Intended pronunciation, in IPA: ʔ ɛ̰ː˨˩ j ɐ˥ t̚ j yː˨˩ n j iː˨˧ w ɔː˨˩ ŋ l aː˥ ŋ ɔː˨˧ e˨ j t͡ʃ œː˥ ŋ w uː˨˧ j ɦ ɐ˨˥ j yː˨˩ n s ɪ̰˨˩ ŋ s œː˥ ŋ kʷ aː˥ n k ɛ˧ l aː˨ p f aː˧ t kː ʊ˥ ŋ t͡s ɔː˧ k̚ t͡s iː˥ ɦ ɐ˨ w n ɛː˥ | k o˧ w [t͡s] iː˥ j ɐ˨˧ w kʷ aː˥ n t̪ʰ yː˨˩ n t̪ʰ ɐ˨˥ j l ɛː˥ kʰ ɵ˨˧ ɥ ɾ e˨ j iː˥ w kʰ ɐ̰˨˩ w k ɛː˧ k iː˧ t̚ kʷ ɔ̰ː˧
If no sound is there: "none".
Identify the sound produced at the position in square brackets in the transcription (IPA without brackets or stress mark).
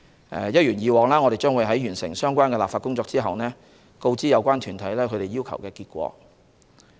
t͡s